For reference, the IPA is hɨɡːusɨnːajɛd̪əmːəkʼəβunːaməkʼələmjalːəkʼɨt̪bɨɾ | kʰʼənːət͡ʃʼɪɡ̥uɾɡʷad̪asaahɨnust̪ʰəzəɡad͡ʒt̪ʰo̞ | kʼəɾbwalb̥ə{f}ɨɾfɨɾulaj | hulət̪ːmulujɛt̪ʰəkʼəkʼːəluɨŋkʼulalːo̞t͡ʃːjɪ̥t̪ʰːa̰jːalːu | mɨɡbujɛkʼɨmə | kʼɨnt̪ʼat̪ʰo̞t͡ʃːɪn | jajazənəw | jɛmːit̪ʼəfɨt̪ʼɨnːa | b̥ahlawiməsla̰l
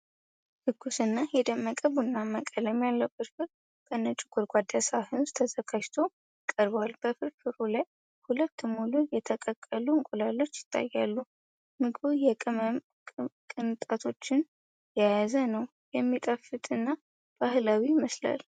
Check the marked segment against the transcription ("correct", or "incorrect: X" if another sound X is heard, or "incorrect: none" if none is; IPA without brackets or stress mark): correct